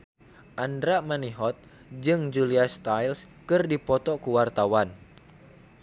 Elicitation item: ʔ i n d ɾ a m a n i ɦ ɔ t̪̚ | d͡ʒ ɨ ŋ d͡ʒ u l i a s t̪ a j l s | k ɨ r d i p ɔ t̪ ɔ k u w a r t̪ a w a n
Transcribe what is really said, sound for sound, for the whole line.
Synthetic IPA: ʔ a n d ɾ a m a n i ɦ ɔ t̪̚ | d͡ʒ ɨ ŋ d͡ʒ u l i a s t̪ a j l s | k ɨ r d i p ɔ t̪ ɔ k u w a r t̪ a w a n